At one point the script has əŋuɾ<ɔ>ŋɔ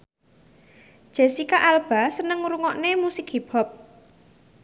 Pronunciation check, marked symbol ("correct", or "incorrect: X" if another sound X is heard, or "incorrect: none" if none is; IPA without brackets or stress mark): incorrect: u